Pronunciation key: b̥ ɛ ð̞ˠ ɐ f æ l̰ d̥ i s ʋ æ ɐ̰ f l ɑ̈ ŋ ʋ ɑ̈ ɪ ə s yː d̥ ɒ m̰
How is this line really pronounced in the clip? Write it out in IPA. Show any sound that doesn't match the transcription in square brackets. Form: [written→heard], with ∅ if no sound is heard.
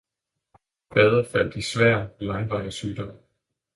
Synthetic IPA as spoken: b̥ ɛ ð̞ˠ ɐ f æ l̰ d̥ i s ʋ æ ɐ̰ [f→∅] l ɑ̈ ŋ ʋ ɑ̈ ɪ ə s yː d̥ ɒ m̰